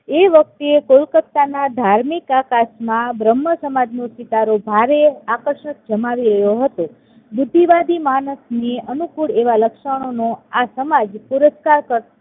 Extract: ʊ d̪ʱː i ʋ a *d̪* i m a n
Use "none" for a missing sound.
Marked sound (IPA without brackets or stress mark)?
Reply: d̪